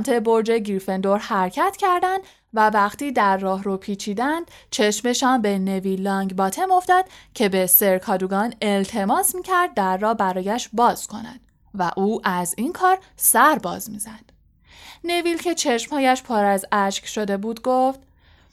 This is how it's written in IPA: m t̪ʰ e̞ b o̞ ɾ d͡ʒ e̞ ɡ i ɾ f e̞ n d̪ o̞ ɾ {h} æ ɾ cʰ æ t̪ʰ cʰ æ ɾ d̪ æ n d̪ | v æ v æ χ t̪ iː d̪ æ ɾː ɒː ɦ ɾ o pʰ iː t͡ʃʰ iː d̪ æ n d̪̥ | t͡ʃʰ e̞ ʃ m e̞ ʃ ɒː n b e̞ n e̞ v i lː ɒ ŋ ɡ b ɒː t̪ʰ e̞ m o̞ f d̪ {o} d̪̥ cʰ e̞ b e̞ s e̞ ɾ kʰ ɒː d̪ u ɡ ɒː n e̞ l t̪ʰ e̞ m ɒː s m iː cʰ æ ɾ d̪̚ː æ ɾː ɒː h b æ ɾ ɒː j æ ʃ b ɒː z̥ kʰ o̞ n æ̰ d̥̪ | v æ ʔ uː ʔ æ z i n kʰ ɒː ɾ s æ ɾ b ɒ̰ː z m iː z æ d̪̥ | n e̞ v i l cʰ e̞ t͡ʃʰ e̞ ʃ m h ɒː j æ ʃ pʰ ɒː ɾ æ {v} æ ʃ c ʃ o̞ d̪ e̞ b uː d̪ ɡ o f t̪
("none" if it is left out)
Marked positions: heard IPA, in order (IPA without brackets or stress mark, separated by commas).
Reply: h, ɒ, z